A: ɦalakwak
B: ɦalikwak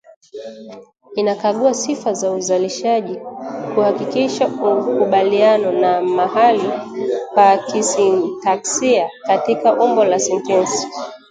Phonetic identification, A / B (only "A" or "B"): B